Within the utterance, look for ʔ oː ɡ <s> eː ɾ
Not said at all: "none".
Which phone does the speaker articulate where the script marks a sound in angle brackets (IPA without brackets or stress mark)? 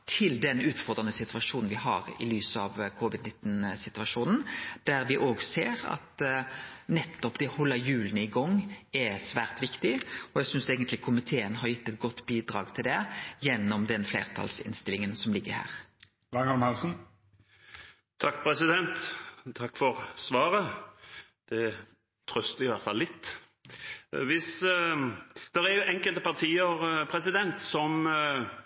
s